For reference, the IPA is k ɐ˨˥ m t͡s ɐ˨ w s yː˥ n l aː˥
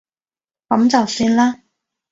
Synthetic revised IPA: k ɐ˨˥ m t͡s ɐ˨ w s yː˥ n l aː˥

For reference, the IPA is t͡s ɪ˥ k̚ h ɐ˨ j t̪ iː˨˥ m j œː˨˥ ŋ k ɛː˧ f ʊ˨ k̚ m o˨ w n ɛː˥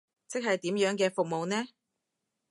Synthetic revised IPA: t͡s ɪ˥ k̚ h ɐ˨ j t̪ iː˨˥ m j œː˨˥ ŋ k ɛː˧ f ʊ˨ k̚ m o˨ w n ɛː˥

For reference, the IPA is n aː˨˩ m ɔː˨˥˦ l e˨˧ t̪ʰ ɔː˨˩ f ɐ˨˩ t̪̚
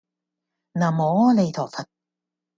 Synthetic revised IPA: n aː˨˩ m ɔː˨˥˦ l e˨˧ t̪ʰ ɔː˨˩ f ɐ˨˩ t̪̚

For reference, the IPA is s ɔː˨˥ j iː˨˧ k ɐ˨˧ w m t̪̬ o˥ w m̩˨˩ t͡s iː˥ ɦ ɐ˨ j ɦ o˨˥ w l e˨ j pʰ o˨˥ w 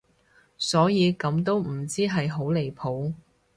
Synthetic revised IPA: s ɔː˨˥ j iː˨˧ k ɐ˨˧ m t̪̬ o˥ w m̩˨˩ t͡s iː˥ ɦ ɐ˨ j ɦ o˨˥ w l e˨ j pʰ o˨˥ w

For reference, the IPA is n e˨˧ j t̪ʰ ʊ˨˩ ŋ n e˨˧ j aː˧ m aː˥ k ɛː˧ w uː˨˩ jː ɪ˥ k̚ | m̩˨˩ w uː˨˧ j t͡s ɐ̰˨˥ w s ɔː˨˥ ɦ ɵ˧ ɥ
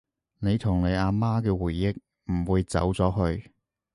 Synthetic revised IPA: n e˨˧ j t̪ʰ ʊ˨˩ ŋ n e˨˧ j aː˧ m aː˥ k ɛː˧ w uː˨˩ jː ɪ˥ k̚ | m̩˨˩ w uː˨˧ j t͡s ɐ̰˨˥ w t͡s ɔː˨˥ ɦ ɵ˧ ɥ

